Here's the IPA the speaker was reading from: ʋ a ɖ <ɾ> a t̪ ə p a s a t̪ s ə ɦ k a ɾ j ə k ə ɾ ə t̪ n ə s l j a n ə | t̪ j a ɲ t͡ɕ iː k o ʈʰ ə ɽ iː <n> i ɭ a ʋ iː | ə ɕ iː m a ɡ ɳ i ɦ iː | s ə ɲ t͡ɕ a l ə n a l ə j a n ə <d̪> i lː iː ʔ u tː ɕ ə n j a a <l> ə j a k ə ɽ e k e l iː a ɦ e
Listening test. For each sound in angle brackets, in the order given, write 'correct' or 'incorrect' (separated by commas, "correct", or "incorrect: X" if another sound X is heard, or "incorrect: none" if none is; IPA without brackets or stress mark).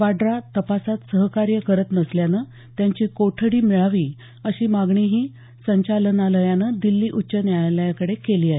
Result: correct, incorrect: m, correct, correct